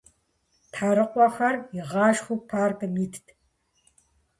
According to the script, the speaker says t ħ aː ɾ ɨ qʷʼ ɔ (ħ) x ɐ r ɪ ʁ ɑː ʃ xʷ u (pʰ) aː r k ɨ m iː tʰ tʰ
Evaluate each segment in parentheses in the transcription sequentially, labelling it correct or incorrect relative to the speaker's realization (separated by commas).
incorrect, correct